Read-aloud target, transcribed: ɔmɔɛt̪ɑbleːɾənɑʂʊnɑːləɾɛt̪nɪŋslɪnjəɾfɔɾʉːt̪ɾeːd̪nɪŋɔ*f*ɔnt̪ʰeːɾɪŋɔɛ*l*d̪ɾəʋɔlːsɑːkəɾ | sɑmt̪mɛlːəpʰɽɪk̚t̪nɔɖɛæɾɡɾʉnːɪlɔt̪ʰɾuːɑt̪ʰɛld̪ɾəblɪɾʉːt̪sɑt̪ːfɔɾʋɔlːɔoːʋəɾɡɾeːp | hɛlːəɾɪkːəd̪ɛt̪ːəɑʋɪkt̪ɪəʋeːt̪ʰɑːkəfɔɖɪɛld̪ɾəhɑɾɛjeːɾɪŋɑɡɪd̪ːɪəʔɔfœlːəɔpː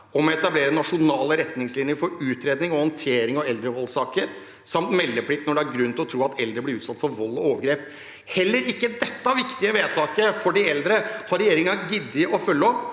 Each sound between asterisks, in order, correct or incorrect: incorrect: h, correct

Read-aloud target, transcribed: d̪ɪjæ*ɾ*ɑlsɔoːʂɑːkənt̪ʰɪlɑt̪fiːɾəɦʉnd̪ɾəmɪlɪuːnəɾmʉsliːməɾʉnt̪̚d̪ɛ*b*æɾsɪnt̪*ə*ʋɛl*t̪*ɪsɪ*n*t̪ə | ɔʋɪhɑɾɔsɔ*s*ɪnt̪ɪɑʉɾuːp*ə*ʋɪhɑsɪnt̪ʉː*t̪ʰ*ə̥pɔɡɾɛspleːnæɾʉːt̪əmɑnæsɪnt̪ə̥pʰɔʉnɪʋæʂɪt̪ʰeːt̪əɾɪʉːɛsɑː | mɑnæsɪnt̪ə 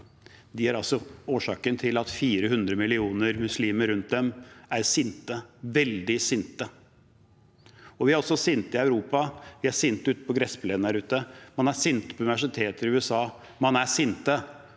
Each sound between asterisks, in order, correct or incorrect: correct, incorrect: m, correct, incorrect: d̪, correct, correct, incorrect: ɑ, incorrect: t̪

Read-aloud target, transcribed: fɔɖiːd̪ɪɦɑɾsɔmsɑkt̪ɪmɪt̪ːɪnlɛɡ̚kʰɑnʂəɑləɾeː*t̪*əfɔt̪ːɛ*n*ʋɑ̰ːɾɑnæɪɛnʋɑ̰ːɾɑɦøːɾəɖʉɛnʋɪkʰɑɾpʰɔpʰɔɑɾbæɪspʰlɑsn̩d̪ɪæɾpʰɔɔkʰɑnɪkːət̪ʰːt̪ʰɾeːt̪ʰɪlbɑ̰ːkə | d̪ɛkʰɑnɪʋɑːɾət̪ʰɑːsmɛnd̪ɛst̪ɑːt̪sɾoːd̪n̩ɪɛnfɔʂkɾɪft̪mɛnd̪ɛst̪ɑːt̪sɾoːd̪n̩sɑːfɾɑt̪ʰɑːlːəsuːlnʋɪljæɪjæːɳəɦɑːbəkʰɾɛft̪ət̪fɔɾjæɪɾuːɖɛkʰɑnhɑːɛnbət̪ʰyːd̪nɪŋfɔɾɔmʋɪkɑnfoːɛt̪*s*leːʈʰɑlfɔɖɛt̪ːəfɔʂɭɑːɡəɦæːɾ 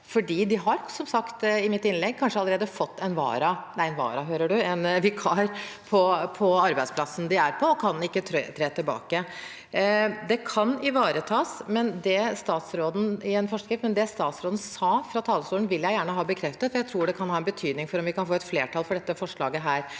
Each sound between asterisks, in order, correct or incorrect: incorrect: d̪, correct, incorrect: f

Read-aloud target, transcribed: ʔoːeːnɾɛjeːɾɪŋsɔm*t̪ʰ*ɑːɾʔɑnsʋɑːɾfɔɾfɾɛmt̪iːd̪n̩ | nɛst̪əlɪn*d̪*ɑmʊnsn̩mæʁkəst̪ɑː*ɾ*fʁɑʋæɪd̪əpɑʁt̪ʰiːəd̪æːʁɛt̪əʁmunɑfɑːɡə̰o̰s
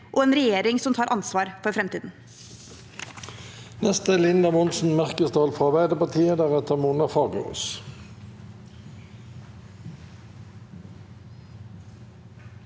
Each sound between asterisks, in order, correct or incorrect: correct, correct, incorrect: l

